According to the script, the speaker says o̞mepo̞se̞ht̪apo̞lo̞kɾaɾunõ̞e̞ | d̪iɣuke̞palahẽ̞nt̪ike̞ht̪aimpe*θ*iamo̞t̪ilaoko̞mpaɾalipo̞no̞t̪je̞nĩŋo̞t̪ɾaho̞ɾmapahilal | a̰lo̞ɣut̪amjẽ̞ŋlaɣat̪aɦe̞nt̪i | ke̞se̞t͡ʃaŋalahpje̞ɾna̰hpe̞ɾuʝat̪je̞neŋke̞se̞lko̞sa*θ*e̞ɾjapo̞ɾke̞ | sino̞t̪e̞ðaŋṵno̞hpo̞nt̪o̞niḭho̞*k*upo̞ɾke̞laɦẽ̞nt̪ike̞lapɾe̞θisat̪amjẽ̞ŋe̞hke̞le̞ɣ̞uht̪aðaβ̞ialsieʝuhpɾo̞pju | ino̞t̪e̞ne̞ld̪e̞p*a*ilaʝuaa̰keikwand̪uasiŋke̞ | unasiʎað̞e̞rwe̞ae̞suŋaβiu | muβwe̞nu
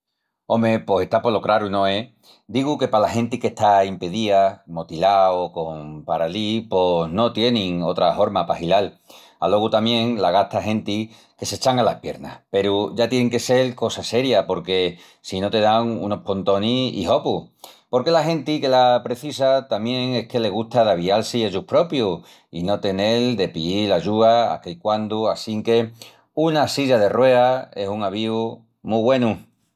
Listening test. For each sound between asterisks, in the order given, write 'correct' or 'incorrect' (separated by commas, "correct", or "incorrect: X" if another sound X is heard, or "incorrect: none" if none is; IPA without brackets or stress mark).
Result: incorrect: ð, incorrect: s, incorrect: p, incorrect: i